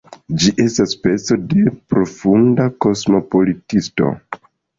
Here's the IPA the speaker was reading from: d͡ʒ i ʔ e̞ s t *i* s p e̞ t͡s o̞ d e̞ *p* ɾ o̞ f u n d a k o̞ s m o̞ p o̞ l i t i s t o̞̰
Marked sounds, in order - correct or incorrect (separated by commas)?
incorrect, correct